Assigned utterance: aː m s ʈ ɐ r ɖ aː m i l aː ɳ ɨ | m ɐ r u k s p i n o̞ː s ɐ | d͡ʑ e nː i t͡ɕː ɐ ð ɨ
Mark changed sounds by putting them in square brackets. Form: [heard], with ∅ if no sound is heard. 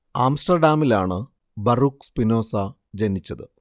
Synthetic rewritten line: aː m s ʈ ɐ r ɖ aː m i l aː ɳ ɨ | [b] ɐ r u k s p i n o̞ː s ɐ | d͡ʑ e [n] i t͡ɕː ɐ ð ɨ